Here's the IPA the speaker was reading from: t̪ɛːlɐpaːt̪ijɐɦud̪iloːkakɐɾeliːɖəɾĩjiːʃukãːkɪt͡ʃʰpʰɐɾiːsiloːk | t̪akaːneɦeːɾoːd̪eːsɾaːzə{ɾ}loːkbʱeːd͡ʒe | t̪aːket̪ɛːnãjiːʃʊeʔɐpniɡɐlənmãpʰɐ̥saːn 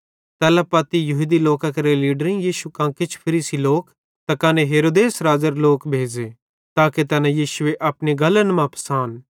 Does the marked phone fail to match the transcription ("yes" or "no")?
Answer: no